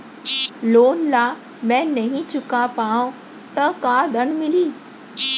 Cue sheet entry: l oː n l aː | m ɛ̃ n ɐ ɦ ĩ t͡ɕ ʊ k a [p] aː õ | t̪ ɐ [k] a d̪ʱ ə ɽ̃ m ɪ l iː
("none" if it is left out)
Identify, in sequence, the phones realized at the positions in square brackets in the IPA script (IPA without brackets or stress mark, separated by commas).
p, k